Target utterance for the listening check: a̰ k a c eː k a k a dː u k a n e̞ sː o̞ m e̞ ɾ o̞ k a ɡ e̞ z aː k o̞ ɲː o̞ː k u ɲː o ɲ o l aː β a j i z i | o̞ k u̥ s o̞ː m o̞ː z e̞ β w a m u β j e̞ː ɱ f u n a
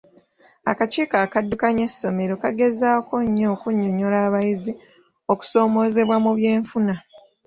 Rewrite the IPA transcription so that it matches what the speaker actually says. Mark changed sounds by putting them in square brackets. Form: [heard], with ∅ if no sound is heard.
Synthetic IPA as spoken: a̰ k a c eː k a k a dː u k a [ɲ] e̞ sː o̞ m e̞ ɾ o̞ k a ɡ e̞ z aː k o̞ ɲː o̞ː k u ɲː o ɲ o l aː β a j i z i | o̞ k u̥ s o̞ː m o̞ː z e̞ β w a m u β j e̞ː ɱ f u n a

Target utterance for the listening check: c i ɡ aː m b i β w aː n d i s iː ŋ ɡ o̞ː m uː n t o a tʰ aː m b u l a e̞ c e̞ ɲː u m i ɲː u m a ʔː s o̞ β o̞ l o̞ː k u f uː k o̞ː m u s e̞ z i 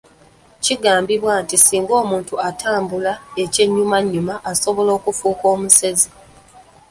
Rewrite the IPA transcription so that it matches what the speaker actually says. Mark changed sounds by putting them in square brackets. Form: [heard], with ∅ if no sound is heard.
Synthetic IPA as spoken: c i ɡ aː m b i β w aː n [t] i s iː ŋ ɡ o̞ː m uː n t [u] a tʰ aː m b u l a e̞ c e̞ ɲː u m [a] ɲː u m a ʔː s o̞ β o̞ l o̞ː k u f uː k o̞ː m u s e̞ z i

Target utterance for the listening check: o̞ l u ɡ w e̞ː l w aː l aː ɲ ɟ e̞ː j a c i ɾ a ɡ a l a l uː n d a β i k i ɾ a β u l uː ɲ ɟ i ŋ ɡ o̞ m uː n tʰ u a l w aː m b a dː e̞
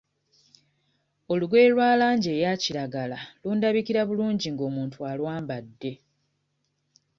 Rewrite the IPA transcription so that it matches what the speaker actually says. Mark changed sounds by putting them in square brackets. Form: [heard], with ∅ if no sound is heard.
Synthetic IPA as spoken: o̞ l u ɡ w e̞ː l w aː l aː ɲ ɟ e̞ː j a c i ɾ a ɡ a l a l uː n d a β i k i ɾ a β u l uː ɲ ɟ i ŋ ɡ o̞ m uː n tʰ u a l w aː m b a dː e̞

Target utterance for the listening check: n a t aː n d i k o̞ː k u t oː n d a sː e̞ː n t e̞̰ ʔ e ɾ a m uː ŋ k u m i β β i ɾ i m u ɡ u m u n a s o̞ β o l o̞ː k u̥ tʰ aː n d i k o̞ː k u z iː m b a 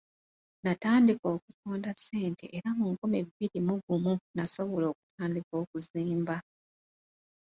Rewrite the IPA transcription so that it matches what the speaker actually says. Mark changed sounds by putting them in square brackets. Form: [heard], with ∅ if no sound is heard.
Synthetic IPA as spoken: n a t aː n d i k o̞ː k u t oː n d a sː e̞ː n t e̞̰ ʔ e ɾ a m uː ŋ k u m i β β i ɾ i m u ɡ u m u n a s o̞ β o l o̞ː k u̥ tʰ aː n d i k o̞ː k u z iː m b a

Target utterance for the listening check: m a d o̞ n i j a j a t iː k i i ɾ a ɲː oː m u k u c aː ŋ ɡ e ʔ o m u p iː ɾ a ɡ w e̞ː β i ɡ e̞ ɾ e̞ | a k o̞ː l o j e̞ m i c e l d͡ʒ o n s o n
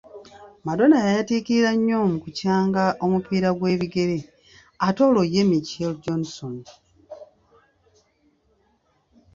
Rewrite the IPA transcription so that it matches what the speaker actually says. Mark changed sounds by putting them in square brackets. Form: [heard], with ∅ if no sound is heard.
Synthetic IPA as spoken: m a d o̞ n [a] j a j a t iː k i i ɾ a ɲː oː m u k u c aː ŋ ɡ [a] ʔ o m u p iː ɾ a ɡ w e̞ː β i ɡ e̞ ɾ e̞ | a [t] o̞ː l o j e̞ m i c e l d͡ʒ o n s o n

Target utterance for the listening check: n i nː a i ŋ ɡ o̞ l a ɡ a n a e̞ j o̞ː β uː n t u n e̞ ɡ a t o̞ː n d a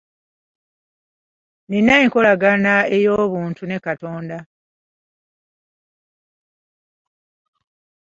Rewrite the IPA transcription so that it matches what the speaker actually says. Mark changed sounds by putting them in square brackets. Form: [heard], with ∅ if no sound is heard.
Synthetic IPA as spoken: n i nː a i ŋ [k] o̞ l a ɡ a n a e̞ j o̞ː β uː n t u n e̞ [k] a t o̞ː n d a

